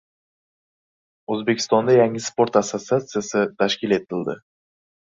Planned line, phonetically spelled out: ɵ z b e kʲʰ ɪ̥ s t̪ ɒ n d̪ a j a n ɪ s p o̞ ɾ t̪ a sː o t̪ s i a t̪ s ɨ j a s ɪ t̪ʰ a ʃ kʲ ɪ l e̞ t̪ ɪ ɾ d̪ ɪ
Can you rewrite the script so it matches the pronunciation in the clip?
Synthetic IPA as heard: ɵ z b e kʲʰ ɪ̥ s t̪ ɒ n d̪ a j a ŋ ɪ s p o̞ ɾ t̪ a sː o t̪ s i a t̪ s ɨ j a s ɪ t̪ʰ a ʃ kʲ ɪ l e̞ t̪ ɪ l d̪ ɪ